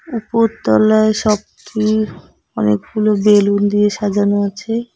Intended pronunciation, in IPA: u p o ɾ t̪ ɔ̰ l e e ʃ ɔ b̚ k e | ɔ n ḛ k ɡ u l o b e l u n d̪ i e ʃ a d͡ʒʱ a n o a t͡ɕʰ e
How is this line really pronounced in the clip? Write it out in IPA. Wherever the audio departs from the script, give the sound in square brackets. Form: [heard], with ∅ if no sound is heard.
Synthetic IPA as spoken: u p o ɾ t̪ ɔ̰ l [a] e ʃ ɔ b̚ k [i] | ɔ n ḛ k ɡ u l o b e l u n d̪ i e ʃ a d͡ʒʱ a n o a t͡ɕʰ e